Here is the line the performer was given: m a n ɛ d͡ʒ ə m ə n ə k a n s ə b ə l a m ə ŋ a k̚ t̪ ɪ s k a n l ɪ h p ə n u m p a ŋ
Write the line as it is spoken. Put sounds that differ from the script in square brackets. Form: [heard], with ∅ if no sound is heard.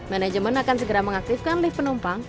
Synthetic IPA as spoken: m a n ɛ d͡ʒ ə m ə n [a] k a n s ə [ɡ] ə [ɾ] a m ə ŋ a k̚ t̪ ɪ [f] k a n l ɪ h p ə n u m p a ŋ